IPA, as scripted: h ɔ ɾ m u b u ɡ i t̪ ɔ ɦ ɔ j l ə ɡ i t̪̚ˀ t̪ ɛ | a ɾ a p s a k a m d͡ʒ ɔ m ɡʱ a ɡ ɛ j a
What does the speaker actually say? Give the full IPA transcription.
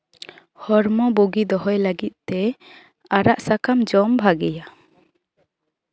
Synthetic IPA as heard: h ɔ ɾ m ɔ b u ɡ i d̪ ɔ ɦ ɔ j l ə ɡ i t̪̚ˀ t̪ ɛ | a ɾ a ʔ s a k a m d͡ʒ ɔ m bʱ a ɡ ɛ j a